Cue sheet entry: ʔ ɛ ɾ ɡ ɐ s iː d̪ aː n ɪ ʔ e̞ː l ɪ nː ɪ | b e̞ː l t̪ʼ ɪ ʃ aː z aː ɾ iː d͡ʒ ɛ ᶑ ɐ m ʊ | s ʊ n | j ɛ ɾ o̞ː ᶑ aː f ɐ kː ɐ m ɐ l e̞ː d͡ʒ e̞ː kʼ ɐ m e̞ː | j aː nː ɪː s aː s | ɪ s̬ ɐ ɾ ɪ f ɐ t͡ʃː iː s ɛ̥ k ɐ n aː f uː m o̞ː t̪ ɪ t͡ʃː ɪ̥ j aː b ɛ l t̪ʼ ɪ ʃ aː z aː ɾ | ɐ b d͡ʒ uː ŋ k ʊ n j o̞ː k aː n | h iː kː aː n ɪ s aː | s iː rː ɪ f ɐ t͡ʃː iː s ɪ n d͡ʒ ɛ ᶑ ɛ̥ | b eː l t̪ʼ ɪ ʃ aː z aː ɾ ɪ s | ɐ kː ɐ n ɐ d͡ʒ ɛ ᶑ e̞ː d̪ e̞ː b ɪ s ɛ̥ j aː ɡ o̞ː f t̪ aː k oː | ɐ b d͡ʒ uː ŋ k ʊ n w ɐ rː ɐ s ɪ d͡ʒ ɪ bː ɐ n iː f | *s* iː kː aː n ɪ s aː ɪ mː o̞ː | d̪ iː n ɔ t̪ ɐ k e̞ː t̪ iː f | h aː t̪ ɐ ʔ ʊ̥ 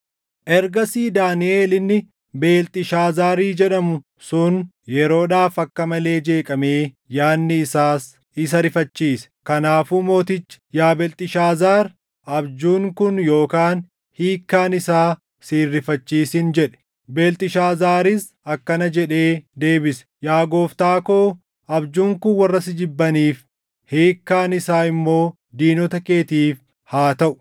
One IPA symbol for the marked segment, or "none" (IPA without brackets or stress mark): h